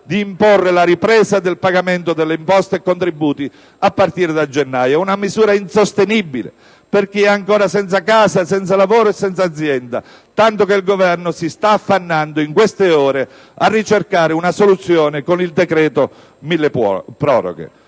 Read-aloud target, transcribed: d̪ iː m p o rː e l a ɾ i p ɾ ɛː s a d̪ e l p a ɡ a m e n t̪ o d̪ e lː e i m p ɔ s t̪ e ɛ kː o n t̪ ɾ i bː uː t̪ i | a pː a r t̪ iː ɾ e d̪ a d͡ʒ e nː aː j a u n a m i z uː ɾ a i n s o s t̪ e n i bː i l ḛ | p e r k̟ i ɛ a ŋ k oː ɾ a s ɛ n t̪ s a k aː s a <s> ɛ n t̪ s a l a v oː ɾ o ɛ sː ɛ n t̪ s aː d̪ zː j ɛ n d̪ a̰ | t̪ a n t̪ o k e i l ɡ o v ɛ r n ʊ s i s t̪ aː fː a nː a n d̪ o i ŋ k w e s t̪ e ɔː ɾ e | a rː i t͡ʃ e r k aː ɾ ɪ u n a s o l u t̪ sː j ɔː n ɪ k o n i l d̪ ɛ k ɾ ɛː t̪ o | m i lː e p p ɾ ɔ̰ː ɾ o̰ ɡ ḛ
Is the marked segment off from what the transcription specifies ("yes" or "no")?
no